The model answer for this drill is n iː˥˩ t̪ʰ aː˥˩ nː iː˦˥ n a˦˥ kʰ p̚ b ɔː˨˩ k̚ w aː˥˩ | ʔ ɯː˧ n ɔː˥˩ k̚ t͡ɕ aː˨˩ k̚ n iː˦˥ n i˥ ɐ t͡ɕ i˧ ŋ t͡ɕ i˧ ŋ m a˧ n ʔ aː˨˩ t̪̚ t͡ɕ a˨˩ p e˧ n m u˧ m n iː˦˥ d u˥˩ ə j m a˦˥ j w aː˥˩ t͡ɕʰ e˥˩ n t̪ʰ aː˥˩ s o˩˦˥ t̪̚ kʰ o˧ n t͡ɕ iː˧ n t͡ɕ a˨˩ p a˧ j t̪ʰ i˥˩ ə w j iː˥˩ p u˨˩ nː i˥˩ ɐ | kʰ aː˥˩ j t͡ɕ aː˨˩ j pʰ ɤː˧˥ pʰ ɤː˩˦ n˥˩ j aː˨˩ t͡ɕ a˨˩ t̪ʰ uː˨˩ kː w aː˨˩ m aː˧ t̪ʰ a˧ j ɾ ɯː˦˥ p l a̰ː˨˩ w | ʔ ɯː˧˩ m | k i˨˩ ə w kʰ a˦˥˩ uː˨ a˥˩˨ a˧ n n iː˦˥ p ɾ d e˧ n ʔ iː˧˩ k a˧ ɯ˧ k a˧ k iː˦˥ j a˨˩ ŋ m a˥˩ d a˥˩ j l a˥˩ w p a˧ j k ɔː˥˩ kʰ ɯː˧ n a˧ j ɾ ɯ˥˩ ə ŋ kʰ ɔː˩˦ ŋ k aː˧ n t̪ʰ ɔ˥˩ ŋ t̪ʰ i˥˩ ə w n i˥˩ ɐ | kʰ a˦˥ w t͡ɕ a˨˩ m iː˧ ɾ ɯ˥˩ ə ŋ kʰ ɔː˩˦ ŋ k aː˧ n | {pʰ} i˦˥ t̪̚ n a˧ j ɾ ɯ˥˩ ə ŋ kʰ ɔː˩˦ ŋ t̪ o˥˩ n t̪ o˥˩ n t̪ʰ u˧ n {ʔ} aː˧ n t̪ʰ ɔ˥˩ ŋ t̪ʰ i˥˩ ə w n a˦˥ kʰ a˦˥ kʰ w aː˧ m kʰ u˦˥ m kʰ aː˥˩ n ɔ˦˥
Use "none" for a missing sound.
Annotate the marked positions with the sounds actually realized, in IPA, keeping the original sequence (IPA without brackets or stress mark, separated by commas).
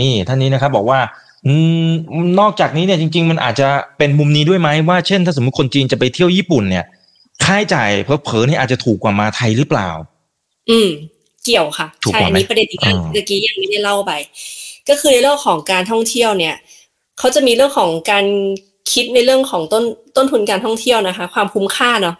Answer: kʰ, k